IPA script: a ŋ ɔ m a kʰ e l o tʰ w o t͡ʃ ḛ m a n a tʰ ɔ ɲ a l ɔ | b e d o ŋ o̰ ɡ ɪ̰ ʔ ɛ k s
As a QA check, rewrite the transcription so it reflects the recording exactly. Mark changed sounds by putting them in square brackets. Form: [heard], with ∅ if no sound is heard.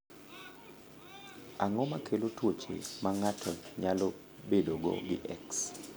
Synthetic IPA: a ŋ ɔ m a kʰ e l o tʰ w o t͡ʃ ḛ m a [ŋ] a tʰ ɔ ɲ a l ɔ | b e d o [ɡ] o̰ ɡ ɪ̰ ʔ ɛ k s